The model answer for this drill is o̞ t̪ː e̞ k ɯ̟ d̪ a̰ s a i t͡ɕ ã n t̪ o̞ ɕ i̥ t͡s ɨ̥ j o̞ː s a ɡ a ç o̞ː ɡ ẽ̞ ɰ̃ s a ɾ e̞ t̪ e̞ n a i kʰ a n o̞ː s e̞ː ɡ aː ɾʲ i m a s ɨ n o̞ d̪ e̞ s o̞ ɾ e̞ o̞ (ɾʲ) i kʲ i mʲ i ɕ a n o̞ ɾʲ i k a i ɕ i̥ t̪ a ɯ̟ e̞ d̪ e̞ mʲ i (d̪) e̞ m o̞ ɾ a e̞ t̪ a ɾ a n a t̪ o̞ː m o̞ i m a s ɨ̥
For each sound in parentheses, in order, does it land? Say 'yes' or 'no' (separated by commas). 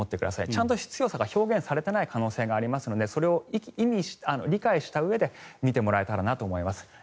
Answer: no, no